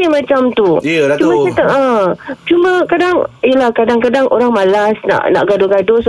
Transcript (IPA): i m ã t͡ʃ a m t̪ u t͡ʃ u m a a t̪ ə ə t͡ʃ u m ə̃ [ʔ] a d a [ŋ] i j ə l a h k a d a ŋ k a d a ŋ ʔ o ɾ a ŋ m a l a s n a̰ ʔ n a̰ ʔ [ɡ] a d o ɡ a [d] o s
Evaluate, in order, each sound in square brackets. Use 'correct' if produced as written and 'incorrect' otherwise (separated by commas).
incorrect, correct, correct, correct